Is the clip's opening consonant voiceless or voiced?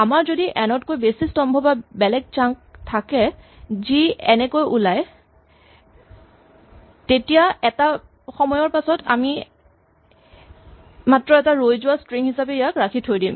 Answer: voiced